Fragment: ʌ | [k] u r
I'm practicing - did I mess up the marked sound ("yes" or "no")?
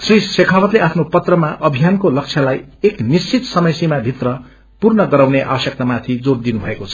yes